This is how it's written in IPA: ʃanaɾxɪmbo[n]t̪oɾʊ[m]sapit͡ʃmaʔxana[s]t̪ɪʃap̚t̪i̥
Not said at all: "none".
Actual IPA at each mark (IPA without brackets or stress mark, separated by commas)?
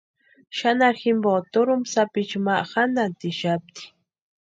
none, m, none